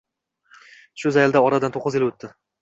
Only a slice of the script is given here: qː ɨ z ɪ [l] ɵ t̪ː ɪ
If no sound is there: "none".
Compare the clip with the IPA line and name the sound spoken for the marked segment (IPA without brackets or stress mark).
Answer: l